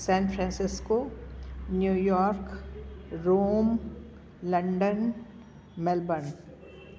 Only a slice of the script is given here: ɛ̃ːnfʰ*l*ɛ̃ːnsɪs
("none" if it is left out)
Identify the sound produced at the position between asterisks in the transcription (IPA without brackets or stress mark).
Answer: ɾ